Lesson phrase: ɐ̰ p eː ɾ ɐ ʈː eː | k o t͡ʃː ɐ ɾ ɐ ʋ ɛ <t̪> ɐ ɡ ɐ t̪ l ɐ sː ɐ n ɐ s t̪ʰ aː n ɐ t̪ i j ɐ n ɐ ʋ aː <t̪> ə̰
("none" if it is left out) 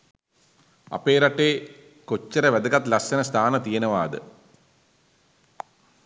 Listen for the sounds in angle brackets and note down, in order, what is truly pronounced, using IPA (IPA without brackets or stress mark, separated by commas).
d̪, d̪